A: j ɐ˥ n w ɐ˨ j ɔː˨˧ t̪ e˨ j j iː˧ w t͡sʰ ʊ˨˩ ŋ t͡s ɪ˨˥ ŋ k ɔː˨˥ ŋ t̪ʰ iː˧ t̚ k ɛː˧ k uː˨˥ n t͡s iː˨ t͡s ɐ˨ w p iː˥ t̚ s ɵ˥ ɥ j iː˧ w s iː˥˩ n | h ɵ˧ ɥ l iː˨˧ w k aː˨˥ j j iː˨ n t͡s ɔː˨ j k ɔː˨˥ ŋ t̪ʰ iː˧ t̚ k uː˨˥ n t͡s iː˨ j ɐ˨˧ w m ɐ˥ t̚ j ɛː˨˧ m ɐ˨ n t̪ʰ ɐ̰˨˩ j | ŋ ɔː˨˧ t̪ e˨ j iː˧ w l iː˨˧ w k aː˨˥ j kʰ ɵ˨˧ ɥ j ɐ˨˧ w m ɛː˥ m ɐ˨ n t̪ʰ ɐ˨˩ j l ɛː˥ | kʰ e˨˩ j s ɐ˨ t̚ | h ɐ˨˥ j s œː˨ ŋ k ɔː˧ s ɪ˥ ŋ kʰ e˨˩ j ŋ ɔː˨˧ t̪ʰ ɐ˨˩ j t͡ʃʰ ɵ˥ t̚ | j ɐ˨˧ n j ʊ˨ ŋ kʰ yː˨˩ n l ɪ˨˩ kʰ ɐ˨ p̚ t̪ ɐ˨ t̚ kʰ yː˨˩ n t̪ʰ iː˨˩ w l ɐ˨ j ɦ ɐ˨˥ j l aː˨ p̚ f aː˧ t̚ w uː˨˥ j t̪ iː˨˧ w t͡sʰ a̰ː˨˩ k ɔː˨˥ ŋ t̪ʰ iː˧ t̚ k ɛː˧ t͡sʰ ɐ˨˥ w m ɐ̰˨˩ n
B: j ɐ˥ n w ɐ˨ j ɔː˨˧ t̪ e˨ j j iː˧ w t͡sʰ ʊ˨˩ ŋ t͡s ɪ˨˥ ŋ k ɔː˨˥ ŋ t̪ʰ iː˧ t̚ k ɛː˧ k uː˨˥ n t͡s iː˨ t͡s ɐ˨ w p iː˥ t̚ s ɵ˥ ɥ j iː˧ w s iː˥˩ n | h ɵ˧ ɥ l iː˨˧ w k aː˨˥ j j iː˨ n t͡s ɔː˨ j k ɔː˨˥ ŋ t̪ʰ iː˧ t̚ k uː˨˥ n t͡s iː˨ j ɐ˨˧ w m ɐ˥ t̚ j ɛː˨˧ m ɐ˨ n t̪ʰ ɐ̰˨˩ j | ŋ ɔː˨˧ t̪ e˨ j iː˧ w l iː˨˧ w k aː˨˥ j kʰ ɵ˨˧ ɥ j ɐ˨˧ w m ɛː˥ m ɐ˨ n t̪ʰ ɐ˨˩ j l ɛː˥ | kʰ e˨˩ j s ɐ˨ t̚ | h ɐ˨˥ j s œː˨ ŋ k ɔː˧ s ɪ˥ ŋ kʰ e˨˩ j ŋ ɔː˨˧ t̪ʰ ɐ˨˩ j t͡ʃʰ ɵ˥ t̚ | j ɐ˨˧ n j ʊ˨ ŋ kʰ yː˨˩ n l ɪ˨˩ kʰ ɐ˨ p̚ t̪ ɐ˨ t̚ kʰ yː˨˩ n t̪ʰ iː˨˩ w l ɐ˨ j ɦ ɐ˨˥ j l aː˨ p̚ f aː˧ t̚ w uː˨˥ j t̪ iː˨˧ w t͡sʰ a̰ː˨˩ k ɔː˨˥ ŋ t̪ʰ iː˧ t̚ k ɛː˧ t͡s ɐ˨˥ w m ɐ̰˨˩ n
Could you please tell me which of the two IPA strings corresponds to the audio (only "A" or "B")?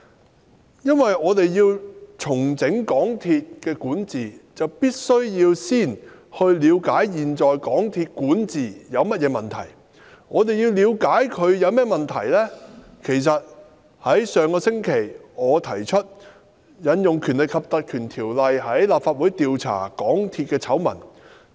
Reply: A